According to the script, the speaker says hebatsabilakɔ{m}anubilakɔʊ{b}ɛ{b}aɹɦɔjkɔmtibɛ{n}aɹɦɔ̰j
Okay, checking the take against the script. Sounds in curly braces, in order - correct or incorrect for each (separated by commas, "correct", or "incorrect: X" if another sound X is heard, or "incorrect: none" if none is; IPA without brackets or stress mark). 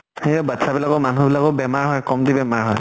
correct, correct, incorrect: m, incorrect: m